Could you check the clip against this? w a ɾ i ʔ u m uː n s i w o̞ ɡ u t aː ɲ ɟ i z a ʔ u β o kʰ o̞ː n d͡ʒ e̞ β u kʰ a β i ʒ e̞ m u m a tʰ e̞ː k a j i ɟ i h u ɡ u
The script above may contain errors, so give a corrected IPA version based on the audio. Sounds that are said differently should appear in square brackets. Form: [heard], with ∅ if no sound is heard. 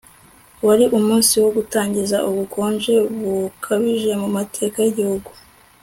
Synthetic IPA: w a ɾ i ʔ u m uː n s i w o̞ ɡ u t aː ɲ ɟ i z a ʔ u β [u] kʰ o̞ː n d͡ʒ e̞ β u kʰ a β i ʒ e̞ m u m a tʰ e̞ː k a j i ɟ i h u ɡ u